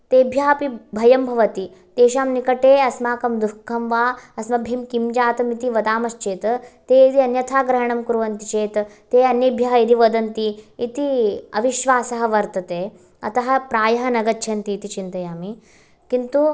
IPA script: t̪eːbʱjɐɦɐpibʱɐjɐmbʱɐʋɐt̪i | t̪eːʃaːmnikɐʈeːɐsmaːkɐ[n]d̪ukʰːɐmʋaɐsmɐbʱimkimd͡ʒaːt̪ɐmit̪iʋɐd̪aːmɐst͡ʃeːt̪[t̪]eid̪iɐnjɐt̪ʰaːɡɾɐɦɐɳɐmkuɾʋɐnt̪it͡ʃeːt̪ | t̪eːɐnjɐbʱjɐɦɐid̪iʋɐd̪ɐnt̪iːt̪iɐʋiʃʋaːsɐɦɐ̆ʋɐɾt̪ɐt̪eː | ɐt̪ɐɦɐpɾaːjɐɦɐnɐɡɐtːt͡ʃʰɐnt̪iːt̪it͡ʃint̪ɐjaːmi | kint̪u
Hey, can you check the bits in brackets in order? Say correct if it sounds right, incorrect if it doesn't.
incorrect, correct

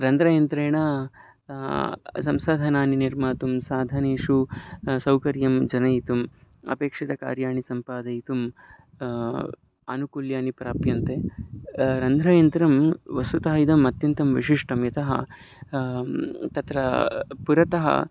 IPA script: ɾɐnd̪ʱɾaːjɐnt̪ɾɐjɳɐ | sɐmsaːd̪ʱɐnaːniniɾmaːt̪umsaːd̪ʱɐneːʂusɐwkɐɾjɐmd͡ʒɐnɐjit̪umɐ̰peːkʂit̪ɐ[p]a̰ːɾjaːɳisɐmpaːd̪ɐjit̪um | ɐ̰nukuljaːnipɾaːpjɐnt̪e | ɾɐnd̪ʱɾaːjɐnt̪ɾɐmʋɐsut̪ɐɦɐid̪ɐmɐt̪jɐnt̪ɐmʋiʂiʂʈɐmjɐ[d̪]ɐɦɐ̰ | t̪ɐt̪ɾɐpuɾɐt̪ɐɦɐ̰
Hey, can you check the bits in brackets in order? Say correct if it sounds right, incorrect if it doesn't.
incorrect, incorrect

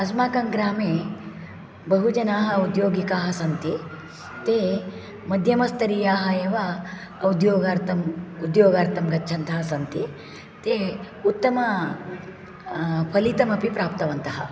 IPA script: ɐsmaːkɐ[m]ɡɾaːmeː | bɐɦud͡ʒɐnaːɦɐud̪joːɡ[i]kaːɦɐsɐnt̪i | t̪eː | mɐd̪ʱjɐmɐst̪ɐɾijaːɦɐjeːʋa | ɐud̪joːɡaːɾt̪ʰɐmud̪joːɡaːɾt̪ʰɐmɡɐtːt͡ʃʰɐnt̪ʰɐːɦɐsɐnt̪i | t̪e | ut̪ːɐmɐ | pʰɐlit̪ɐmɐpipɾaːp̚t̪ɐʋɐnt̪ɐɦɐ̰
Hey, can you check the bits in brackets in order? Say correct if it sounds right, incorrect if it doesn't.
incorrect, correct

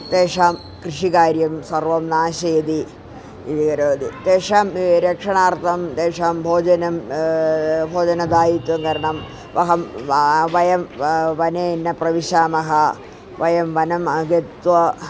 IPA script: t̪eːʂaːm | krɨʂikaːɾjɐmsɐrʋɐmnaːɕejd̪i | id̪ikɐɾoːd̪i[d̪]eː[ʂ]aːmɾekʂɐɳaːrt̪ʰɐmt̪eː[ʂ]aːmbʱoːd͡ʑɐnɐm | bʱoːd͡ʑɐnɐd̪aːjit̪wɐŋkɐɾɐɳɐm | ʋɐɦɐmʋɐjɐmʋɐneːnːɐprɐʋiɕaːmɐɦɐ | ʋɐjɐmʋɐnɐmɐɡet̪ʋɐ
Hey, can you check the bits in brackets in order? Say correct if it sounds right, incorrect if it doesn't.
incorrect, correct, correct

